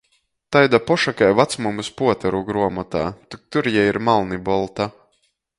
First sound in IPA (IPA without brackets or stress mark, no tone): t̪